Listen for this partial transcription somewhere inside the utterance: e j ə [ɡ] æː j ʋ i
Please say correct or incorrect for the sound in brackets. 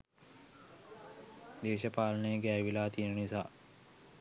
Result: correct